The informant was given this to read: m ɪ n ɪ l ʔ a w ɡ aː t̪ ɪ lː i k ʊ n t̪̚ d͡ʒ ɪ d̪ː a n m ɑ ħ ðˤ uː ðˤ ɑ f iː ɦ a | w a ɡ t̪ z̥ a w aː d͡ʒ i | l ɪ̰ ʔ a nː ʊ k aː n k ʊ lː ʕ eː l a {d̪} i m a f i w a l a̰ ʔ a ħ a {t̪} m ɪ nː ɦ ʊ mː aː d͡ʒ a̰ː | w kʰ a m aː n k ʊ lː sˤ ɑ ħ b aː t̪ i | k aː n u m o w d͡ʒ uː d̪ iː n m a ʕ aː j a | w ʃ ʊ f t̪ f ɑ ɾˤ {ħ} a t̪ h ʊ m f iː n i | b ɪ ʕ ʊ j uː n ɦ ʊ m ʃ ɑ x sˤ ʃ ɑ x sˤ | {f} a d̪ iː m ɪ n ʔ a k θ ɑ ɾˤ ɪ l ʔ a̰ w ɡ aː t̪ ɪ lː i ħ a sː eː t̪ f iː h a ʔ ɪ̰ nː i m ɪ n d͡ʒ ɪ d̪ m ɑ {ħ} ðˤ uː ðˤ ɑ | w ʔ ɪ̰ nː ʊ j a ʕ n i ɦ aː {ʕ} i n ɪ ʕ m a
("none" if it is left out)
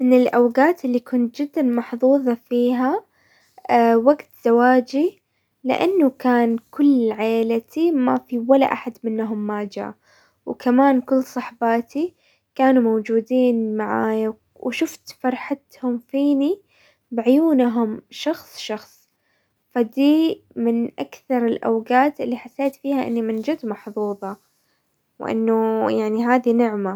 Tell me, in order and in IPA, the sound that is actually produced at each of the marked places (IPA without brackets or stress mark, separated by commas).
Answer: t̪, d̪, ħ, f, ħ, ð